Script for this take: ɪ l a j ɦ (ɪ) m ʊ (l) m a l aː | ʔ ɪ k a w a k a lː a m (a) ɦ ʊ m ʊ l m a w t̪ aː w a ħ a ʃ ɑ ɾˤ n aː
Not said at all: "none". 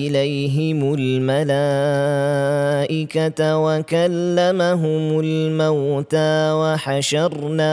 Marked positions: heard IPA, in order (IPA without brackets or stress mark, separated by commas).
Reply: ɪ, l, a